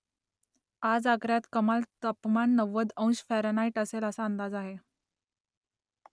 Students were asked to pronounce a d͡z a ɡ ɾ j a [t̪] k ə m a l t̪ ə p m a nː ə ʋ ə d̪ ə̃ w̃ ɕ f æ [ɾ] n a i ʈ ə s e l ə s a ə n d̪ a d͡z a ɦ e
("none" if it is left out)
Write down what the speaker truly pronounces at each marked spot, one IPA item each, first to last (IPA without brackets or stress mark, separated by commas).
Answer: t̪, ɾ